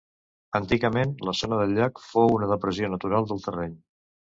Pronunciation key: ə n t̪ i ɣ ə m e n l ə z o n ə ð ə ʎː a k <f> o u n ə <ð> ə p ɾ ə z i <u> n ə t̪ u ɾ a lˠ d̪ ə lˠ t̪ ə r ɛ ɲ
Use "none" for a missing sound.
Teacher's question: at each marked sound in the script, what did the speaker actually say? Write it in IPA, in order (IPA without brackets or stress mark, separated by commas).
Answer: f, ð, o